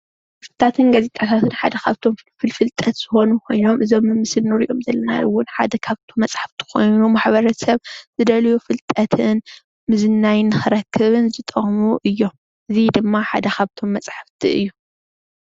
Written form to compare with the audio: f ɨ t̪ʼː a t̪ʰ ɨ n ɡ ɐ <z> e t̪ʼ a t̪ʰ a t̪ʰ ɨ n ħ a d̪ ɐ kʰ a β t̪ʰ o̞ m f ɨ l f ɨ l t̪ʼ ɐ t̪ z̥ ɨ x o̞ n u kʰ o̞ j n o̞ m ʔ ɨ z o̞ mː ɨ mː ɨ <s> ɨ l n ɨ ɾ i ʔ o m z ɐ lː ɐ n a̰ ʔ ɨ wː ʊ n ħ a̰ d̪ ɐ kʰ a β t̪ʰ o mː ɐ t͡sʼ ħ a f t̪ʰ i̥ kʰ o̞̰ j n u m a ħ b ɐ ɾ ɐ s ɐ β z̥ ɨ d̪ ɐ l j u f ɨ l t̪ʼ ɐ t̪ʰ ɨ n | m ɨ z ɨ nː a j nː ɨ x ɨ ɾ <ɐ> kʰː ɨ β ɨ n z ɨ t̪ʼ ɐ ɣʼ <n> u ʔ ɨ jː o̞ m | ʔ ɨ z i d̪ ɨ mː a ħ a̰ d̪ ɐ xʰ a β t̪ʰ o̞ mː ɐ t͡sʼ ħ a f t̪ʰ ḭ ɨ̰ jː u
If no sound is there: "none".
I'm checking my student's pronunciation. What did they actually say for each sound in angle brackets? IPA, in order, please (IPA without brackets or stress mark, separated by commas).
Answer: z, s, ɐ, m